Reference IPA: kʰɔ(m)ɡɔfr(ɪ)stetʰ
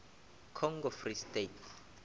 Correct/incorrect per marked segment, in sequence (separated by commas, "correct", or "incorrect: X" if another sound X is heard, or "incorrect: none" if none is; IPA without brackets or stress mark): incorrect: ŋ, incorrect: i